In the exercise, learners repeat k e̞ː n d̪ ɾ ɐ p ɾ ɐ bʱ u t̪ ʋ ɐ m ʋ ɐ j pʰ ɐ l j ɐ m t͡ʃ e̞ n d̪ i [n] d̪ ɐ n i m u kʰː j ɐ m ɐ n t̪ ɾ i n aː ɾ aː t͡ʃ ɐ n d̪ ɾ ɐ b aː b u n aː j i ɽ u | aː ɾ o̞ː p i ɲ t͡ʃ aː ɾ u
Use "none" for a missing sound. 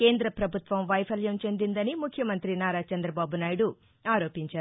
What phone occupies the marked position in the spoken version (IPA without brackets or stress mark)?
n